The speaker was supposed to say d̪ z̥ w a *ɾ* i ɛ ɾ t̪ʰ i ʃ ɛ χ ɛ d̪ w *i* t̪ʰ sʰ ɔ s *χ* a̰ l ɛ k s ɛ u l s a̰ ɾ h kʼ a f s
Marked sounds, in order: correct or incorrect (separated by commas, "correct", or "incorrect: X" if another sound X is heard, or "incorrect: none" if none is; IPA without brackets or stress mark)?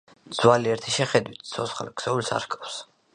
incorrect: l, correct, correct